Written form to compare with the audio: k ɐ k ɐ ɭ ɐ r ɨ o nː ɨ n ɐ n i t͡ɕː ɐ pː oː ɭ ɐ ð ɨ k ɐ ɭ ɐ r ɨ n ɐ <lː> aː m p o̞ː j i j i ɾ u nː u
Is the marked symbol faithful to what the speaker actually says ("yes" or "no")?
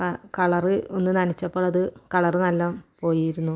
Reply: yes